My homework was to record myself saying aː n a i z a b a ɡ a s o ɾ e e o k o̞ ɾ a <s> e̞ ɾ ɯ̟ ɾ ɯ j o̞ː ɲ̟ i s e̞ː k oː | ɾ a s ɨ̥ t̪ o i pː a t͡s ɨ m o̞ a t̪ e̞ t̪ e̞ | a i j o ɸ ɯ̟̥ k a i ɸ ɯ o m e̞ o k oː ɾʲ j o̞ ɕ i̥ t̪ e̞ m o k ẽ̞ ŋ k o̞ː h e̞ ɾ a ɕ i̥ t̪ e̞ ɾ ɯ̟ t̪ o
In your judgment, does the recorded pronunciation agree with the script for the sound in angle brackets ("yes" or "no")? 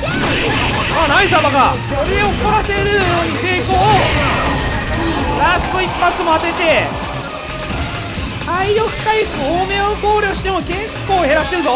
yes